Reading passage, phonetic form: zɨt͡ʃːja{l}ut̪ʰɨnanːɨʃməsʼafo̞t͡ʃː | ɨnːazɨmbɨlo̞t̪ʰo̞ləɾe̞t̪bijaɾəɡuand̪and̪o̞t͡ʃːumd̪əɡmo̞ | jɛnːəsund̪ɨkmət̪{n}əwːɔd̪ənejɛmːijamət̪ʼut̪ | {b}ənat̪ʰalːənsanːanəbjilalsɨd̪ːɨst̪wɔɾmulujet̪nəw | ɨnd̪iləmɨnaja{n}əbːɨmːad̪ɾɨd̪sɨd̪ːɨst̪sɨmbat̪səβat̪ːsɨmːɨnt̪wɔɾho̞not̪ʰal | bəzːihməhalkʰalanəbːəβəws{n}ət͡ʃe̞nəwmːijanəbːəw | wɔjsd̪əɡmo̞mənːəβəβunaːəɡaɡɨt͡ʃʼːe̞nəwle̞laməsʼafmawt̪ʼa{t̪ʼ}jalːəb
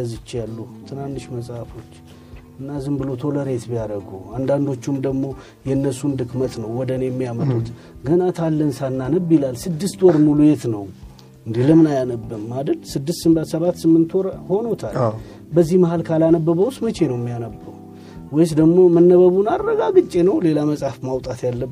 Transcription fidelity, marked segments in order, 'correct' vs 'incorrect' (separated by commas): incorrect, correct, incorrect, correct, incorrect, incorrect